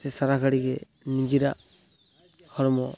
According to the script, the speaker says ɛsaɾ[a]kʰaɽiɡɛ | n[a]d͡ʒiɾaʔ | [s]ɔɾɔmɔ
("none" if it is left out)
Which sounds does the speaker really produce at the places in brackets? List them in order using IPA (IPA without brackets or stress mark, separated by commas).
a, i, h